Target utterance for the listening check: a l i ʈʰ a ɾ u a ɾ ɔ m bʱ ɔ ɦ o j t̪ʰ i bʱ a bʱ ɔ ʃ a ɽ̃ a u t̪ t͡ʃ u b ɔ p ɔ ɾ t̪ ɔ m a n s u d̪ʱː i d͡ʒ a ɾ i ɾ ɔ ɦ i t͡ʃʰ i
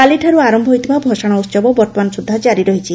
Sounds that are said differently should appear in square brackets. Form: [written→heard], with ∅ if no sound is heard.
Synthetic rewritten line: a l i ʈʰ a ɾ u a ɾ ɔ m bʱ ɔ ɦ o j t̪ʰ i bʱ a bʱ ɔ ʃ a ɽ̃ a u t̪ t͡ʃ [u→ɔ] b ɔ [p→b] ɔ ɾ t̪ ɔ m a n s u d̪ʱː [i→a] d͡ʒ a ɾ i ɾ ɔ ɦ i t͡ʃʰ i